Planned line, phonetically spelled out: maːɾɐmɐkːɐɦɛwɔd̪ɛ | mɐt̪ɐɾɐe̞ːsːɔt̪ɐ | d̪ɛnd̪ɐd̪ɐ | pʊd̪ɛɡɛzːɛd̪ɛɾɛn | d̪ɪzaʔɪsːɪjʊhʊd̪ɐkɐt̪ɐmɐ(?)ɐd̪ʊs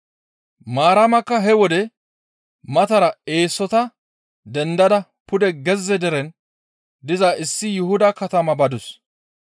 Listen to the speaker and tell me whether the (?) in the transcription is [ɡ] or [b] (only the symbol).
b